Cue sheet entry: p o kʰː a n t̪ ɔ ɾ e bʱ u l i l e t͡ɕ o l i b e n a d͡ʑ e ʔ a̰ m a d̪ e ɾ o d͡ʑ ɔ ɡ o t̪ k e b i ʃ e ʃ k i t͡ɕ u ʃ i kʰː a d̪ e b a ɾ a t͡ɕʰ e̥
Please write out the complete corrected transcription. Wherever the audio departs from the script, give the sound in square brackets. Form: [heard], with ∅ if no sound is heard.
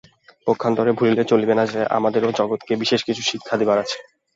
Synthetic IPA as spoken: p o kʰː a n t̪ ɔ ɾ e bʱ u l i l e t͡ɕ o l i b e n a d͡ʑ e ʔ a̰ m a d̪ e ɾ o d͡ʑ ɔ ɡ o t̪ k e b i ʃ e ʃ k i [t͡ɕʰ] u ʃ i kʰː a d̪ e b a ɾ a t͡ɕʰ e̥